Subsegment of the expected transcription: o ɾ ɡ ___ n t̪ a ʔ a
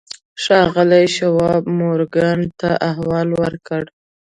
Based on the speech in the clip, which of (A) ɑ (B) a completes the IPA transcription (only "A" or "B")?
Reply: B